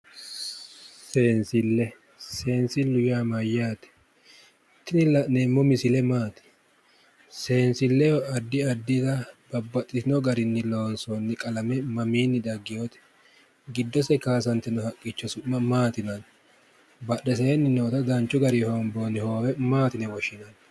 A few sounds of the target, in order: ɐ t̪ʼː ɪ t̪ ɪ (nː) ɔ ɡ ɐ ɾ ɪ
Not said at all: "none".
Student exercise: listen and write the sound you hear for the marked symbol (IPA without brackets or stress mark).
n